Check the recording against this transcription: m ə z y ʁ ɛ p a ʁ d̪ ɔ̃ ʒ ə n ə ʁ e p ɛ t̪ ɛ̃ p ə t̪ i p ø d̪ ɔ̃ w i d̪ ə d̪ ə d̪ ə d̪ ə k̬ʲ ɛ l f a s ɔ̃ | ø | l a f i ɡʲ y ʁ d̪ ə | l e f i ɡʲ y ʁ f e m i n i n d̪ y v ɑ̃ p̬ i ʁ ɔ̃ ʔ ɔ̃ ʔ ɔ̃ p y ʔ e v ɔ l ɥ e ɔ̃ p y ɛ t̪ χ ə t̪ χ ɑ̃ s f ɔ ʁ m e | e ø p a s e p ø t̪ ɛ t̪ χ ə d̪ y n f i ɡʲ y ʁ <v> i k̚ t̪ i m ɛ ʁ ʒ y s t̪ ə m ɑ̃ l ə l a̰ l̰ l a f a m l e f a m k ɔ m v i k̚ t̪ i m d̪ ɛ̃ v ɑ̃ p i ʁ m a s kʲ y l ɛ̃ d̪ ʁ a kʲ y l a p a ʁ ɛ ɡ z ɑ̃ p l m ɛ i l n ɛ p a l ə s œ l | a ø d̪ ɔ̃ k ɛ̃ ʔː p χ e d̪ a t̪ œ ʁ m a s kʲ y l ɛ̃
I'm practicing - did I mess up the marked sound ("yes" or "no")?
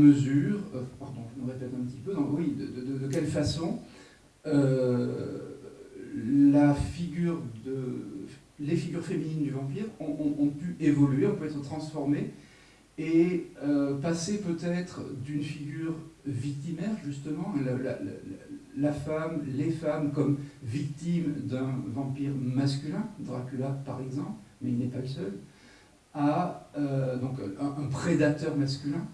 no